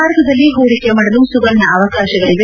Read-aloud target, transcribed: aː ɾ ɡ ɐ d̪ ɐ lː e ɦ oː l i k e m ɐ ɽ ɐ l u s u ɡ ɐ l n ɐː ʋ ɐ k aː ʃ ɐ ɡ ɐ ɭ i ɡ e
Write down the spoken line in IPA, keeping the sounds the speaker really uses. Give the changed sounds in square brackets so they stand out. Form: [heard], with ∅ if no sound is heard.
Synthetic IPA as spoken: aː ɾ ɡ ɐ d̪ ɐ lː [i] ɦ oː [ɾ] i k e m ɐ ɽ ɐ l u s u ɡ ɐ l n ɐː ʋ ɐ k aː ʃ ɐ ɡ ɐ ɭ i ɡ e